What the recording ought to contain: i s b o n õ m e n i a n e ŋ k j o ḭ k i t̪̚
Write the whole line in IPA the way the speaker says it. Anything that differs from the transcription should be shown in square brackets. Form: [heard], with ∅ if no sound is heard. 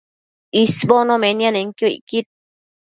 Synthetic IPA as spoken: i s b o n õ m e n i a n e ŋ k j o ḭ k i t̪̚